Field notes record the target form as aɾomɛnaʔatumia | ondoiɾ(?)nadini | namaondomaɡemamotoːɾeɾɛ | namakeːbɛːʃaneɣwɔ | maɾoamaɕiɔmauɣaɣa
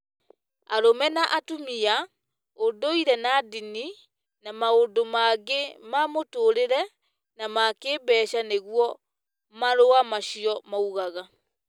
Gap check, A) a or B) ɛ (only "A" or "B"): B